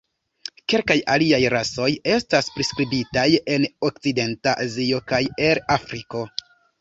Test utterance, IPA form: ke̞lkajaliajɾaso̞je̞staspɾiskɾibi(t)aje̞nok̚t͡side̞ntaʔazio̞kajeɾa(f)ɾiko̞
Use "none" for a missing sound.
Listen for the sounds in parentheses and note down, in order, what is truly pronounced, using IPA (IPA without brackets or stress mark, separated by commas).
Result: t, f